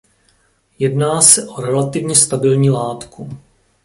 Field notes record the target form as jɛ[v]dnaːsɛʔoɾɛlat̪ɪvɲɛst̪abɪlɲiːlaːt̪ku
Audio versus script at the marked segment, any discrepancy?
yes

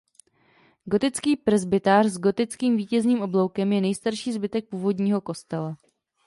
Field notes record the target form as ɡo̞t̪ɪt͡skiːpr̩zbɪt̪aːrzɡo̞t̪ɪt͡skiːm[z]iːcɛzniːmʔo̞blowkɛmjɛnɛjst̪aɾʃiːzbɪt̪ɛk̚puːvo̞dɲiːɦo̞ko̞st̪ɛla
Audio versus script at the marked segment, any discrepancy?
yes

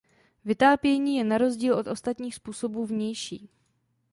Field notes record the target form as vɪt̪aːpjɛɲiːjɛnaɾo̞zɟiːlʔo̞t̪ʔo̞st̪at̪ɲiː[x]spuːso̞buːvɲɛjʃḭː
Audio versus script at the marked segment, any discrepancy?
no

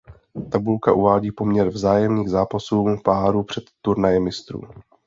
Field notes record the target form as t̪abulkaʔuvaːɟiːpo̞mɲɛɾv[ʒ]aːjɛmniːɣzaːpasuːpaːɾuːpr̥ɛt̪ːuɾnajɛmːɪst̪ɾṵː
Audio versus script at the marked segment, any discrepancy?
yes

